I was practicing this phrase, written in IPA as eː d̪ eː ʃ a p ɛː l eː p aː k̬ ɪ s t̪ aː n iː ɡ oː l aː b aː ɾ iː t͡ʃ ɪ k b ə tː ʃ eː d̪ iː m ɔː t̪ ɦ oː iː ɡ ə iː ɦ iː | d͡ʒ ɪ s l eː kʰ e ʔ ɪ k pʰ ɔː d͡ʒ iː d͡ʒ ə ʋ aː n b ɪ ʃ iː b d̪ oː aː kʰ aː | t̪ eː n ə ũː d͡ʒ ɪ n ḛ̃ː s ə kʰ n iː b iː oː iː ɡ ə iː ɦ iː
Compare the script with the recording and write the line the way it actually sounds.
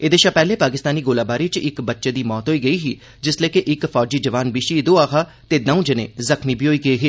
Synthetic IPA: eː d̪ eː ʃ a p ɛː l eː p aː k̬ ɪ s t̪ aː n iː ɡ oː l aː b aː ɾ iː t͡ʃ ɪ k b ə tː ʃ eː d̪ iː m ɔː t̪ ɦ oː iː ɡ ə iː ɦ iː | d͡ʒ ɪ s l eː k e ʔ ɪ k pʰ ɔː d͡ʒ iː d͡ʒ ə ʋ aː n b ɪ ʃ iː d̪ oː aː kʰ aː | t̪ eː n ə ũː d͡ʒ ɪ n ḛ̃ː z ə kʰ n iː b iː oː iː ɡ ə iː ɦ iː